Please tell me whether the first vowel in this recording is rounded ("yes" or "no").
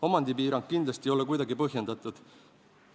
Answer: yes